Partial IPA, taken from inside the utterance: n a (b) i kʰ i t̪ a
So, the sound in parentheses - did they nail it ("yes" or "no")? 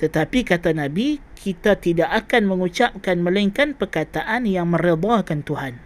yes